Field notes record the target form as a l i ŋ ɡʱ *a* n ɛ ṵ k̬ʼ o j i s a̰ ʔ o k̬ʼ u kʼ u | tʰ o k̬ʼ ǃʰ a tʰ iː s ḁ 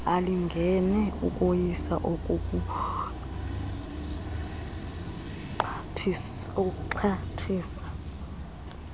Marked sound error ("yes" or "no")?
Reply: yes